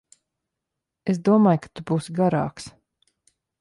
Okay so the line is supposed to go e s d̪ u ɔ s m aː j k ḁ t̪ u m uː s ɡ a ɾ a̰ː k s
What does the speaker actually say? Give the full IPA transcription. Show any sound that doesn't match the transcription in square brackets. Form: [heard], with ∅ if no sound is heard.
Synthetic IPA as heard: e s d̪ u ɔ [∅] m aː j k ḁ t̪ u [b] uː s ɡ a ɾ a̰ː k s